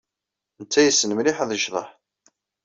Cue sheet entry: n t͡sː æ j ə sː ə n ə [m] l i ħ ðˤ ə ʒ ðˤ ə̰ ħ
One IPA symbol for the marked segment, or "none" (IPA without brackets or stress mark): m